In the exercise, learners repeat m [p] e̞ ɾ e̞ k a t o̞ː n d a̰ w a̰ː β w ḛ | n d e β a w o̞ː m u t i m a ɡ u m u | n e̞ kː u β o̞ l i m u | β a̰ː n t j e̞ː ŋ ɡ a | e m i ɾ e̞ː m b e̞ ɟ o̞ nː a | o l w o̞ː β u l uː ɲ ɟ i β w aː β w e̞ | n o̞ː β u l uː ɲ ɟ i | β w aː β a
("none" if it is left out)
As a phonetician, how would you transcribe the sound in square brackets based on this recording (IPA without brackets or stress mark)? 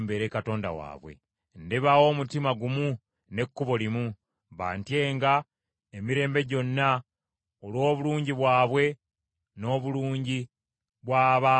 b